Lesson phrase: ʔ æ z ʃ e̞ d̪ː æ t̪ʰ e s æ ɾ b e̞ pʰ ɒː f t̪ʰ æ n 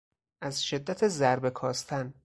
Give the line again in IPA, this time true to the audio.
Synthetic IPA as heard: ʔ æ z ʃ e̞ d̪ː æ t̪ʰ e z æ ɾ b e̞ kʰ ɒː s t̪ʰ æ n

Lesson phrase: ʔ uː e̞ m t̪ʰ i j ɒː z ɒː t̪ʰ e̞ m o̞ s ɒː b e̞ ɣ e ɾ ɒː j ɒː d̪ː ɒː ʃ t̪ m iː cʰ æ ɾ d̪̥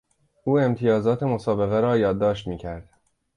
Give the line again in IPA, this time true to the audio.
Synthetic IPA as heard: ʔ uː e̞ m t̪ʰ i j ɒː z ɒː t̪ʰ e̞ m o̞ s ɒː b e̞ ɣ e ɾ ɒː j ɒː d̪ː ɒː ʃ t̪ m iː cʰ æ ɾ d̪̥

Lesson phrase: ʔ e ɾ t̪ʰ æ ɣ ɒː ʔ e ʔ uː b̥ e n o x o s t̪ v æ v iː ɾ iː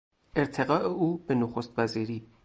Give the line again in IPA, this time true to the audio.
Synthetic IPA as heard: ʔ e ɾ t̪ʰ e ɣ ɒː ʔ e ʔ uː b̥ e n o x o s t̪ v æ z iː ɾ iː

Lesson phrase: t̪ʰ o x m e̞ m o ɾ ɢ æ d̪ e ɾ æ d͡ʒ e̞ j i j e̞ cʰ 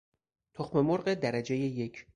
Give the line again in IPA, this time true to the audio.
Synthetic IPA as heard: t̪ʰ o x m e̞ m o ɾ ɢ e d̪ æ ɾ æ d͡ʒ e̞ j e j e̞ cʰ

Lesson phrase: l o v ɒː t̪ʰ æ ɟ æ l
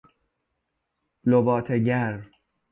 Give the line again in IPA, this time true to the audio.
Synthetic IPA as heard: l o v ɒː t̪ʰ e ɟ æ ɾ

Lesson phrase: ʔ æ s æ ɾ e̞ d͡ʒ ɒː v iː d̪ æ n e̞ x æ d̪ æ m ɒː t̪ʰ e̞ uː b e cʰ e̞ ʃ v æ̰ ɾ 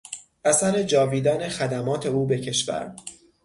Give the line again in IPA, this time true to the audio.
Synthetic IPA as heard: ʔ æ s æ ɾ e̞ d͡ʒ ɒː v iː d̪ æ n e̞ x æ d̪ æ m ɒː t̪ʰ e̞ uː b e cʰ e̞ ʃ v æ̰ ɾ

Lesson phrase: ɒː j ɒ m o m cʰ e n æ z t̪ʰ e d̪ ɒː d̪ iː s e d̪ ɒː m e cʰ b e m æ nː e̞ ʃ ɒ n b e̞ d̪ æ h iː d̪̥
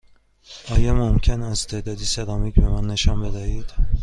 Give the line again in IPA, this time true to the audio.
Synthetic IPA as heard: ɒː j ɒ m o m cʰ e n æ z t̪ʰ e d̪ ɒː d̪ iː s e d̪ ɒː m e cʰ b e m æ nː e̞ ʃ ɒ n b e̞ d̪ æ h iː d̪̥

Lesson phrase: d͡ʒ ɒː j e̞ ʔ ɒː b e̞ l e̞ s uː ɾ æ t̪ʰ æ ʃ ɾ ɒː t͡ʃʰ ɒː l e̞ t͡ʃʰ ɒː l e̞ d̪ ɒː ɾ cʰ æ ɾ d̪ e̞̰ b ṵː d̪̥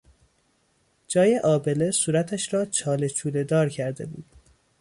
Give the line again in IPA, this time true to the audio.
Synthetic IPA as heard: d͡ʒ ɒː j e̞ ʔ ɒː b e̞ l e̞ s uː ɾ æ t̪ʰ æ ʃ ɾ ɒː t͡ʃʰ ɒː l e̞ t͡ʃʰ uː l e̞ d̪ ɒː ɾ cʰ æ ɾ d̪ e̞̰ b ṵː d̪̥

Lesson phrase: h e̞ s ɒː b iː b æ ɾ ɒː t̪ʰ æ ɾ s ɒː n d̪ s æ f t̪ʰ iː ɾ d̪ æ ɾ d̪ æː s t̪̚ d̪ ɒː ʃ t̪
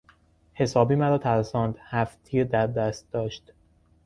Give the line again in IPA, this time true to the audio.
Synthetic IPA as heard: h e̞ s ɒː b iː m æ ɾ ɒː t̪ʰ æ ɾ s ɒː n d̪ h æ f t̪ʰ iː ɾ d̪ æ ɾ d̪ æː s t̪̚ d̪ ɒː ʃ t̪

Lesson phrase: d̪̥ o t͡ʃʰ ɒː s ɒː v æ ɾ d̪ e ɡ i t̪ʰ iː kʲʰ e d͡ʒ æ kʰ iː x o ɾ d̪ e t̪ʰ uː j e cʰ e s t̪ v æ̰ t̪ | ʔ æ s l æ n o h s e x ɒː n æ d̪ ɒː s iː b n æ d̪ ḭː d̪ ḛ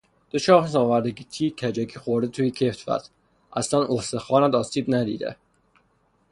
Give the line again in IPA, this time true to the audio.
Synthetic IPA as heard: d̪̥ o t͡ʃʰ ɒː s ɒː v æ ɾ d̪ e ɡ i t̪ʰ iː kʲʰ æ d͡ʒ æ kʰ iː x o ɾ d̪ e t̪ʰ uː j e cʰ e f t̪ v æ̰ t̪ | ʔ æ s l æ n o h s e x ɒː n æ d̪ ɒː s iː b n æ d̪ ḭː d̪ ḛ

